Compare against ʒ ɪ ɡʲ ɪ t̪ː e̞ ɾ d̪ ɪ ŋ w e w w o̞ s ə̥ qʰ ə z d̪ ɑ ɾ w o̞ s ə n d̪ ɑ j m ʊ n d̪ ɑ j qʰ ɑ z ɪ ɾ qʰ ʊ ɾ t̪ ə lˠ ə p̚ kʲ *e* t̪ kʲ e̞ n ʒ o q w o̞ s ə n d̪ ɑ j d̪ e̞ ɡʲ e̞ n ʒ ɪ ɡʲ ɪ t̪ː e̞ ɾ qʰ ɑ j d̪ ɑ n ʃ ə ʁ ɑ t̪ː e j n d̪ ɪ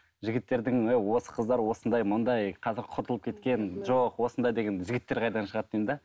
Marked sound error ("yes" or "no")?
no